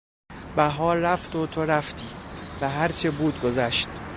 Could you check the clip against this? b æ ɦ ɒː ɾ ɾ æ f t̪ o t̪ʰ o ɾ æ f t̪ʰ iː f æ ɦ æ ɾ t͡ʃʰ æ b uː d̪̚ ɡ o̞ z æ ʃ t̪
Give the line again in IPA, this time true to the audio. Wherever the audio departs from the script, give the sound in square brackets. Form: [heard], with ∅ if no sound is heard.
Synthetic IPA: b æ ɦ ɒː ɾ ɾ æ f t̪ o t̪ʰ o ɾ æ f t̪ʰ iː [v] æ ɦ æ ɾ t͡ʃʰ [e] b uː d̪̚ ɡ o̞ z æ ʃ t̪